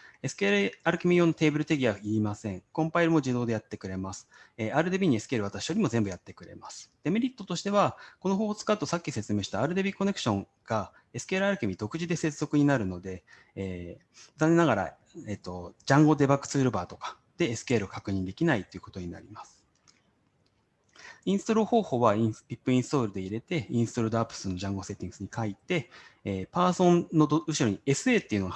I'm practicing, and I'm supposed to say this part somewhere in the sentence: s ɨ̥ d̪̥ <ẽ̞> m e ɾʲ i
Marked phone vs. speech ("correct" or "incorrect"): incorrect